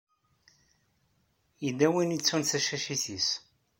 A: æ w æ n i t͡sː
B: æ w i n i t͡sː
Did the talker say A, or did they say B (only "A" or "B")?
B